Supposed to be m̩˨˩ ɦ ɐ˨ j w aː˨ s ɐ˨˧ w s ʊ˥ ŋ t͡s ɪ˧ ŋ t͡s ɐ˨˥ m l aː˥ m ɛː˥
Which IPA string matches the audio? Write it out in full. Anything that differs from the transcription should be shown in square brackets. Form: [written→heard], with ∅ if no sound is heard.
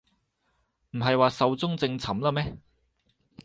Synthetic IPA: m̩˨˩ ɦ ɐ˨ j w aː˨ s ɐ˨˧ w [s→t͡s] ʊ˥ ŋ t͡s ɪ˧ ŋ [t͡s→t͡sʰ] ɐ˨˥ m l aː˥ m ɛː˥